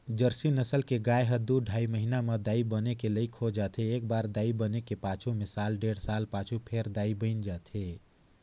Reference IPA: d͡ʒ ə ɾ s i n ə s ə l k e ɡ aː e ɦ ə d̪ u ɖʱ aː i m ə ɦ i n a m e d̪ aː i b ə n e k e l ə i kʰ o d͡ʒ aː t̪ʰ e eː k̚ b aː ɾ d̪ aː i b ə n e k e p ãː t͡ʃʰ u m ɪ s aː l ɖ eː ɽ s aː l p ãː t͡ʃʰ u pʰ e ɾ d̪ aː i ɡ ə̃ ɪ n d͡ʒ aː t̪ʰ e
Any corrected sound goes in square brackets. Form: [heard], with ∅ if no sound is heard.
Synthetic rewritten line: d͡ʒ ə ɾ s i n ə s ə l k e ɡ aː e ɦ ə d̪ u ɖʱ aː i m ə ɦ i n a m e d̪ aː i b ə n e k e l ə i kʰ o d͡ʒ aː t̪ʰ e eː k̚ b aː ɾ d̪ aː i b ə n e k e p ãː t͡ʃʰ u m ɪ s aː l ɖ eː ɽ s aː l p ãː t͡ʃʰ u pʰ e ɾ d̪ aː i [b] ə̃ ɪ n d͡ʒ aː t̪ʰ e

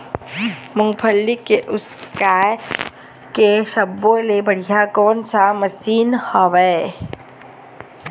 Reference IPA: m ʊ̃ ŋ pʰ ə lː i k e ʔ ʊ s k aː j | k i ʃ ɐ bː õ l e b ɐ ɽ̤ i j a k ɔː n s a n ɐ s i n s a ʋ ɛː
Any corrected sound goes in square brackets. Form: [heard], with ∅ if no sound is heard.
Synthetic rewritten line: m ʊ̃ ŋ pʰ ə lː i k e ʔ ʊ s k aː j | k [e] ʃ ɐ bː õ l e b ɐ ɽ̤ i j a k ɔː n s a [m] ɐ s [iː] n [h] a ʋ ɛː

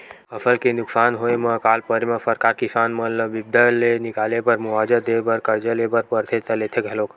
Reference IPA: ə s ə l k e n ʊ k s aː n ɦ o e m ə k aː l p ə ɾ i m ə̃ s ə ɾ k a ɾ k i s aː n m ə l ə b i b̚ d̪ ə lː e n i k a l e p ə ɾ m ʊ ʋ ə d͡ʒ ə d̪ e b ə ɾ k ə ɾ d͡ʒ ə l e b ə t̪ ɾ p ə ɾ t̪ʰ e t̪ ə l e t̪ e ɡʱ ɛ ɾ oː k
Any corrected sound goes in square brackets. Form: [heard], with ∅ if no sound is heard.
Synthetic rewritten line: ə s ə l k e n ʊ k s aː n ɦ o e m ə k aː l p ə ɾ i m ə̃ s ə ɾ k a ɾ k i s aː n m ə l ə b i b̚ d̪ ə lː e n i k a l e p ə ɾ m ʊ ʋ [a] d͡ʒ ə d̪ e b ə ɾ k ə ɾ d͡ʒ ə l e b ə [∅] ɾ p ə ɾ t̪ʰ e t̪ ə l e [t̪ʰ] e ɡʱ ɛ [l] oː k

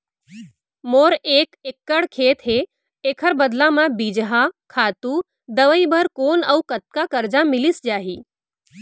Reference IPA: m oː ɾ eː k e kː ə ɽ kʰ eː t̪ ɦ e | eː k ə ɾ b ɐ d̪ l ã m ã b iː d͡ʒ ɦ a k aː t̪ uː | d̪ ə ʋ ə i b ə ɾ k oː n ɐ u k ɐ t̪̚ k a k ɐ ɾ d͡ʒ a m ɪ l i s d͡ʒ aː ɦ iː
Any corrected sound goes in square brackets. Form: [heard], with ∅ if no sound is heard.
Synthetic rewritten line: m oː ɾ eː k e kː ə ɽ kʰ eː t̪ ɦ e | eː [kʰ] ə ɾ b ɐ d̪ l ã m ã b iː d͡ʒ ɦ a [kʰ] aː t̪ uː | d̪ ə ʋ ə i b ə ɾ k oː n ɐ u k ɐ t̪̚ k a k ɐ ɾ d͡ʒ a m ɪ l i s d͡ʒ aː ɦ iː

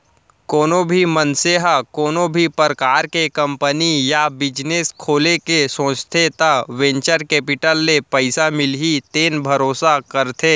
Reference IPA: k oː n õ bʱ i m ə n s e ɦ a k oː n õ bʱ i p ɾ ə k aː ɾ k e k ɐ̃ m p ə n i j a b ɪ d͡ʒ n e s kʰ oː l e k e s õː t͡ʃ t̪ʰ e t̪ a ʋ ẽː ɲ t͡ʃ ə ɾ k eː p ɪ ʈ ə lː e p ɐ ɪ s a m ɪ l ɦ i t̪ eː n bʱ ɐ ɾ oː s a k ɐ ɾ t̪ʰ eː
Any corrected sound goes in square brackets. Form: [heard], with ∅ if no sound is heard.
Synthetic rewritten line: k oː n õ bʱ i m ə n s e ɦ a k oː n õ bʱ i p ɾ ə k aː ɾ k e k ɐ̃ m p ə n i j a b ɪ d͡ʒ n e s kʰ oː l e k e s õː t͡ʃ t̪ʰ e t̪ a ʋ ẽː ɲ t͡ʃ ə ɾ k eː p ɪ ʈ ə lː e p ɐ ɪ s a m ɪ l ɦ i t̪ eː n bʱ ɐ ɾ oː s a k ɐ ɾ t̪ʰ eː

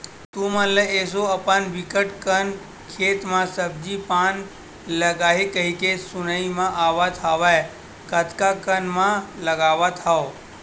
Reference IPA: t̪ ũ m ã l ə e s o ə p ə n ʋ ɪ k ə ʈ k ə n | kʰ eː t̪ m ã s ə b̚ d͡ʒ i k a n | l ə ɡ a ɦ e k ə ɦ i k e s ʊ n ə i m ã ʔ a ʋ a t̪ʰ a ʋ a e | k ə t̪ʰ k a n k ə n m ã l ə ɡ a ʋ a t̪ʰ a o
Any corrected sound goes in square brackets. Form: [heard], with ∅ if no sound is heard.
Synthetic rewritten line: t̪ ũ m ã l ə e s o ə p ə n ʋ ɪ k ə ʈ k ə n | kʰ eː t̪ m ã s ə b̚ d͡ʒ i [p] a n | l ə ɡ a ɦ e k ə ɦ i k e s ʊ n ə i m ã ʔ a ʋ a t̪ʰ a ʋ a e | k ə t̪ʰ k a [∅] k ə n m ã l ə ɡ a ʋ a t̪ʰ a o

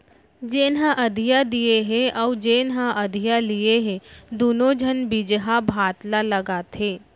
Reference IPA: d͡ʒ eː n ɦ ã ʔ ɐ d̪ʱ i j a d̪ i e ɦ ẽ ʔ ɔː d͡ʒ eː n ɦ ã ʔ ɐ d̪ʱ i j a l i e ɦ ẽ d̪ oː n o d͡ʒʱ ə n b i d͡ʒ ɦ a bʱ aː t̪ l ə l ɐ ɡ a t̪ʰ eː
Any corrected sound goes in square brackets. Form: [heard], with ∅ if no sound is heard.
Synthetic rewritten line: d͡ʒ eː n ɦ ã ʔ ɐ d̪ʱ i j a d̪ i e ɦ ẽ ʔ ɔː d͡ʒ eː n ɦ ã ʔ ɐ d̪ʱ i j a l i e ɦ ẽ d̪ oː n o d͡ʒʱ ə n b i d͡ʒ ɦ a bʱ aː t̪ l [a] l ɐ ɡ a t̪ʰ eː

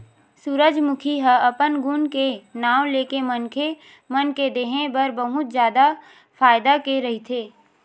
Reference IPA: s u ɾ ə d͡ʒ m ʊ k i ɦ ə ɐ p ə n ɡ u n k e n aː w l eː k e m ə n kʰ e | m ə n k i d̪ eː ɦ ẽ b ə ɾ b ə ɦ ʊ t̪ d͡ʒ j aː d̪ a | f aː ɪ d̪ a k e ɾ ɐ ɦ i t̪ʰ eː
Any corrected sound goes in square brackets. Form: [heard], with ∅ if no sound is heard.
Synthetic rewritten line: s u ɾ ə d͡ʒ m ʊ [kʰ] i ɦ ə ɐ p ə n ɡ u n k e n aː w l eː k e m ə n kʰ e | m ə n k [e] d̪ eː ɦ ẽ b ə ɾ b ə ɦ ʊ t̪ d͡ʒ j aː d̪ a | f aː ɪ d̪ a k e ɾ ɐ ɦ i t̪ʰ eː

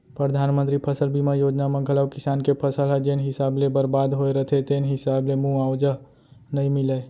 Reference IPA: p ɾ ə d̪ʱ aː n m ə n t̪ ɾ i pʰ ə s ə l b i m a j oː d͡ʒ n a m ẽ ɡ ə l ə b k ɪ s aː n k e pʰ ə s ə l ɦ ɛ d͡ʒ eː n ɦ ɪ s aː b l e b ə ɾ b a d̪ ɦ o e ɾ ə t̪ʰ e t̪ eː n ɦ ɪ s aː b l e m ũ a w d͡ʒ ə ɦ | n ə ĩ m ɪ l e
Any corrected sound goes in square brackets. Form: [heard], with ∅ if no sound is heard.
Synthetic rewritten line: p ɾ ə d̪ʱ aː n m ə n t̪ ɾ i pʰ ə s ə l b i m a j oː d͡ʒ n a m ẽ ɡ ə l ə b k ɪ s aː n k e pʰ ə s ə l ɦ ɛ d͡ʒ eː n ɦ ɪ s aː b l e b ə ɾ b a d̪ ɦ o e ɾ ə t̪ʰ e t̪ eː n ɦ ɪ s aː b l e m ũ a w d͡ʒ ə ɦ | n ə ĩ m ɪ l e

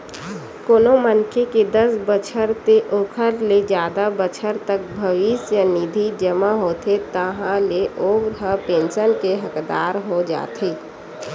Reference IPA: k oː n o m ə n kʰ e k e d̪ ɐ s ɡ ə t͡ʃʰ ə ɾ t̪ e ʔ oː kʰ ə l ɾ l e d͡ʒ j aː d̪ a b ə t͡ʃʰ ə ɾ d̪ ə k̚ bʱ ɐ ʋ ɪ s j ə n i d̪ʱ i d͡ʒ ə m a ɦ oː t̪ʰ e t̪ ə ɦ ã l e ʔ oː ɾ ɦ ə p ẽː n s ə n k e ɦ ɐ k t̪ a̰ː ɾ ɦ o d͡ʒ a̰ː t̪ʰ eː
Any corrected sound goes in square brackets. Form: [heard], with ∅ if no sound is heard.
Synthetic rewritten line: k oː n o m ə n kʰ e k e d̪ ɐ s [b] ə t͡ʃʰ ə ɾ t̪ e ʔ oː kʰ ə [∅] ɾ l e d͡ʒ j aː d̪ a b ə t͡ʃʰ ə ɾ [t̪] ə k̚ bʱ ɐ ʋ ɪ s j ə n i d̪ʱ i d͡ʒ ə m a ɦ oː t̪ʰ e t̪ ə ɦ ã l e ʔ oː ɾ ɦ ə p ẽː n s ə n k e ɦ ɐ k [d̪] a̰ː ɾ ɦ o d͡ʒ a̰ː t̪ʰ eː

